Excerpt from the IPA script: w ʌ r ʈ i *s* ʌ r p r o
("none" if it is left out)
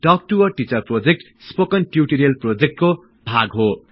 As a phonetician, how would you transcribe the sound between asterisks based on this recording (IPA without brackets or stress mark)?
t͡s